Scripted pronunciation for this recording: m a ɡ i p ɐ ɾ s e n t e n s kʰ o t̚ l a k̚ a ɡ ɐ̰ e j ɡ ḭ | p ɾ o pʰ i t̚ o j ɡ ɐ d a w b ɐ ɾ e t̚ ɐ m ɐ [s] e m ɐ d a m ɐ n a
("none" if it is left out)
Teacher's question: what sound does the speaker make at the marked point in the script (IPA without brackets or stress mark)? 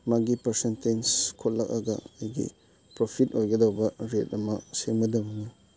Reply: s